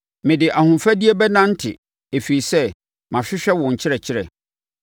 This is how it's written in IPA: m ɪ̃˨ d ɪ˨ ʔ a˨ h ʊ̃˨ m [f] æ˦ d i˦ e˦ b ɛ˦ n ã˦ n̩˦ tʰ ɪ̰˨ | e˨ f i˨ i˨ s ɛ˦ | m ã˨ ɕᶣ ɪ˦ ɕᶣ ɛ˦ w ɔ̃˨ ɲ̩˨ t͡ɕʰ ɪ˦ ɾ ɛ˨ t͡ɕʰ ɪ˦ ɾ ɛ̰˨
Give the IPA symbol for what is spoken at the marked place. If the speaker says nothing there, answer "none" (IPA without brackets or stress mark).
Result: f